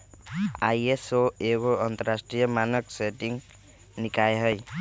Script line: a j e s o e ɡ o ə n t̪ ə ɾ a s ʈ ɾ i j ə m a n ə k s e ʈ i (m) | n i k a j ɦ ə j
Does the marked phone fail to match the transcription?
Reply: yes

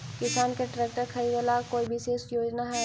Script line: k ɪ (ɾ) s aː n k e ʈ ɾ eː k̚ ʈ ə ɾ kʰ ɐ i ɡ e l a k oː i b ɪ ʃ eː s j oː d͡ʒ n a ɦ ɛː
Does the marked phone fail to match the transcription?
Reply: yes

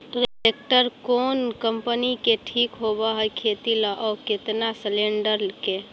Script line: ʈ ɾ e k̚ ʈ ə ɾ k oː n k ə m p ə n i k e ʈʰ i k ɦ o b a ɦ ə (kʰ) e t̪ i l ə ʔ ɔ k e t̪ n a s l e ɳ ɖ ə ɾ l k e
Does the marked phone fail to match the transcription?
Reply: no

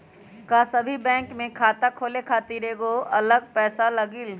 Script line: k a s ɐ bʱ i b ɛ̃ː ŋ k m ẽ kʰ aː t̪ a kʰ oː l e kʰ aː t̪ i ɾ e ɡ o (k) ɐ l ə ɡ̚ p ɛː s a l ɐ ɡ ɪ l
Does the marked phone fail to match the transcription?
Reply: yes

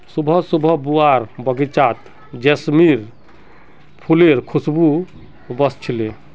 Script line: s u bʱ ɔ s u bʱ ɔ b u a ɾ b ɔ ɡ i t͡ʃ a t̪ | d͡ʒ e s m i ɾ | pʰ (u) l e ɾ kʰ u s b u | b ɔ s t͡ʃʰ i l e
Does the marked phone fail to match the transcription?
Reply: no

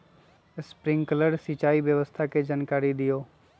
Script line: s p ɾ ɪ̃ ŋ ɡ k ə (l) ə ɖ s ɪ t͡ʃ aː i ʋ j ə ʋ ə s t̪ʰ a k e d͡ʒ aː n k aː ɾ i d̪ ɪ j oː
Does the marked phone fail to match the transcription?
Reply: no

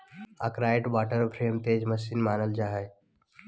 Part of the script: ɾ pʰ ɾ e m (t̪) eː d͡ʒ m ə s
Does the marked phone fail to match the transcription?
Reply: no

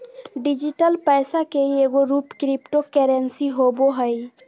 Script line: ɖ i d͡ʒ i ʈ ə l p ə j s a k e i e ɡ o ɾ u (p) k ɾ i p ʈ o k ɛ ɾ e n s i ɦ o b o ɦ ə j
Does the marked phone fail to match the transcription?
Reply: no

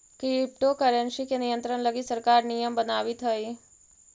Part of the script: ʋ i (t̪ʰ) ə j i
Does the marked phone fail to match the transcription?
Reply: no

